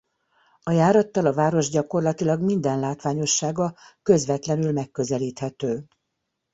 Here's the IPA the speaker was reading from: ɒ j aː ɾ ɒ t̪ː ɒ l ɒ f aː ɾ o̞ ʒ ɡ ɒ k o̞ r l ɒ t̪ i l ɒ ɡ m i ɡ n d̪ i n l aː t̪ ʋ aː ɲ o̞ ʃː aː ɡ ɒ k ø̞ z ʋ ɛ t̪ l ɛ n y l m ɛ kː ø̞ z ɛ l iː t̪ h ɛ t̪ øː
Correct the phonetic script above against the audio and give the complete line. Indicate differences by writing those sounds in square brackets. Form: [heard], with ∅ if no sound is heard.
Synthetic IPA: ɒ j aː ɾ ɒ t̪ː ɒ l ɒ [v] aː ɾ o̞ ʒ [ɟ] ɒ k o̞ r l ɒ t̪ i l ɒ ɡ m i [∅] n d̪ [ɛ] n l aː t̪ ʋ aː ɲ o̞ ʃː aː ɡ ɒ k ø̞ z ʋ ɛ t̪ l ɛ n y l m ɛ kː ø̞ z ɛ l iː t̪ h ɛ t̪ øː